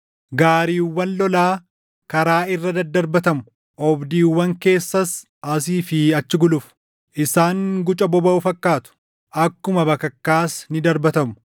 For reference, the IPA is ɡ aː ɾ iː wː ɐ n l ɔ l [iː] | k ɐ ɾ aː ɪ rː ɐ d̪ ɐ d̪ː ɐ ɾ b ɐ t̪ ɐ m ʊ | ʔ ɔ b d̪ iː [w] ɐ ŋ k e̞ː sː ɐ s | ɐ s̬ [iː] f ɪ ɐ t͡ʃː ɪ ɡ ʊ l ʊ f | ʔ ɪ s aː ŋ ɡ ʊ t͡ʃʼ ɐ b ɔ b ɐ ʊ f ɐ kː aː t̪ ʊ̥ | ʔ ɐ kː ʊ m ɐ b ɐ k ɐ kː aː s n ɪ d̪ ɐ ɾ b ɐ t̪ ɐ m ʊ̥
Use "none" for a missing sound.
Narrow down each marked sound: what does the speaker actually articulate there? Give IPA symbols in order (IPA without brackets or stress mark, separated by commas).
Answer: aː, wː, iː